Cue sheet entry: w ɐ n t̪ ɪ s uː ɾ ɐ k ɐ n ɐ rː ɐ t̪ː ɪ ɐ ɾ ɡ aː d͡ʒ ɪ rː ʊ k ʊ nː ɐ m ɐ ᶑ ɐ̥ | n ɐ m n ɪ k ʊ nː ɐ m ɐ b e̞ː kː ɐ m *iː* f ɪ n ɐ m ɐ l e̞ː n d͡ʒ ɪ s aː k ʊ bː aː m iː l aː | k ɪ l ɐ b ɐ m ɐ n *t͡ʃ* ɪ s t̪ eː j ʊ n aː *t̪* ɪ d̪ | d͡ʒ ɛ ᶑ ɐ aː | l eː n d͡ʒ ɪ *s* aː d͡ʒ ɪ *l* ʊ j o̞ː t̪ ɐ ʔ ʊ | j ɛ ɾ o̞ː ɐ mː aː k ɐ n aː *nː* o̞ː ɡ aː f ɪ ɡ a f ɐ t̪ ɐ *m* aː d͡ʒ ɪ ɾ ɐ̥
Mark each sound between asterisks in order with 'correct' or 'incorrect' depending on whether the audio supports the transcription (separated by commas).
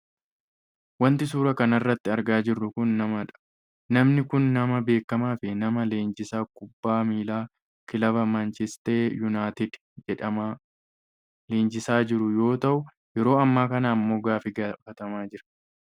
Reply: incorrect, correct, correct, correct, incorrect, incorrect, correct